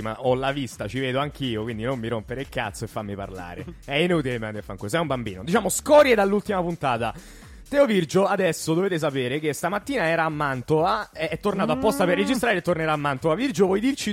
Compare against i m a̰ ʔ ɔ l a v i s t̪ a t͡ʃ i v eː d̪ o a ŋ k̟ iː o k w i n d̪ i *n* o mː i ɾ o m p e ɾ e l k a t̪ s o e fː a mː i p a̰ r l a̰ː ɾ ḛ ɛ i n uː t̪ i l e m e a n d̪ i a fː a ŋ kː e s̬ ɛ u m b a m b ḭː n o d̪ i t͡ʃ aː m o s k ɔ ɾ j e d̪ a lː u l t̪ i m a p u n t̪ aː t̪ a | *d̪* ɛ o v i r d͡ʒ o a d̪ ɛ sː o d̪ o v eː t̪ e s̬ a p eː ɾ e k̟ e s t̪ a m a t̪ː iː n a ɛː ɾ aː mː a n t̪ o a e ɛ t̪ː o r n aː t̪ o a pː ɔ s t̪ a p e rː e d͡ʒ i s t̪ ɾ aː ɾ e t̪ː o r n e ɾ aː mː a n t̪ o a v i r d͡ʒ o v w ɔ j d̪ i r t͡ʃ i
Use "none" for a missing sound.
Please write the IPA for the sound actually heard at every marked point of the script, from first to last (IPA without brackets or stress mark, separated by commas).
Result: n, t̪